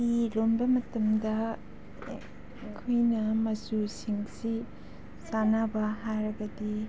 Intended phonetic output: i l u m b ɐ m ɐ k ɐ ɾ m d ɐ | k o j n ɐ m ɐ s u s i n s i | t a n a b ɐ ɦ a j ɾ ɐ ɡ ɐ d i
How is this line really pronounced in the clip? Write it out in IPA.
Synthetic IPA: i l o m b ɐ m ɐ t ɐ m d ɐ | kʰ o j n ɐ m ɐ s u s i ŋ s i | s a n a b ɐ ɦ a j ɾ ɐ ɡ ɐ d i